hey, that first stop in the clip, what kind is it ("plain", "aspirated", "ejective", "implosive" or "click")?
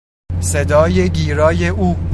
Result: plain